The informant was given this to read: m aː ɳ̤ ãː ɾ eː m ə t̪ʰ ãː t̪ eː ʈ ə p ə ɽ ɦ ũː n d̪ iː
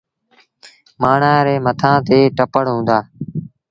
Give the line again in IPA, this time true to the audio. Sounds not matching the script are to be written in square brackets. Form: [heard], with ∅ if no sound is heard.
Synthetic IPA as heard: m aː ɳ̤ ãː ɾ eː m ə t̪ʰ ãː t̪ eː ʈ ə p ə ɽ ɦ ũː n d̪ [aː]